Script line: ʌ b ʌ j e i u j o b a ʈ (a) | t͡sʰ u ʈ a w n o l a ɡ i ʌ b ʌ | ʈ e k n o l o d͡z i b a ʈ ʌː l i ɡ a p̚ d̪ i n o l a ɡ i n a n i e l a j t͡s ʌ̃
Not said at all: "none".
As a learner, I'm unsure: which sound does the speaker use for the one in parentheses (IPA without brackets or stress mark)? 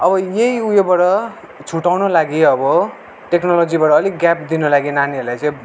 ʌ